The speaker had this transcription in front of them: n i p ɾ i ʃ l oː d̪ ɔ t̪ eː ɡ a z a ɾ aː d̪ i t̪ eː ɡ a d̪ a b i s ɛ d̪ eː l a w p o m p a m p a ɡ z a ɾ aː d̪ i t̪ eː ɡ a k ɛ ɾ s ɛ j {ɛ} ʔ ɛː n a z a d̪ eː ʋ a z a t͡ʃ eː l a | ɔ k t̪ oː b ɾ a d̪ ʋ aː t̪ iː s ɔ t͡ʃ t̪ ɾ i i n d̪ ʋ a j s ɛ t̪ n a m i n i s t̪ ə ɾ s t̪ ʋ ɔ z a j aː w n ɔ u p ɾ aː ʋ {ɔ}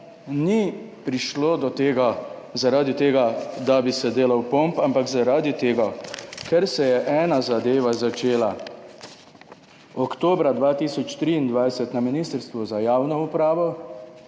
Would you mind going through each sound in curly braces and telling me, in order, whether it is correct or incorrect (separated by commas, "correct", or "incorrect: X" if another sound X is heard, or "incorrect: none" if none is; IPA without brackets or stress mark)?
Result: correct, correct